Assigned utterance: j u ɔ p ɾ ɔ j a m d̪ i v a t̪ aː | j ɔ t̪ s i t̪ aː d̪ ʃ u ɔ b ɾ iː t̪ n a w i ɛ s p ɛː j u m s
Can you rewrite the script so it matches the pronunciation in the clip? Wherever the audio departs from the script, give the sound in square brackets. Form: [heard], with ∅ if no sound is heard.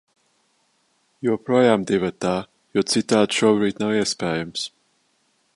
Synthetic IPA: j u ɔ p ɾ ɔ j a m d̪ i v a t̪ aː | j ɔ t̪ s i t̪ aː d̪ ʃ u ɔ b ɾ iː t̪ n a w i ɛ s p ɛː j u m s